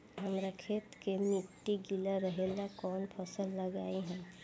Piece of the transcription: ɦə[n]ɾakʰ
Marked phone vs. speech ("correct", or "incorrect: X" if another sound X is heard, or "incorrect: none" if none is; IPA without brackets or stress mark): incorrect: m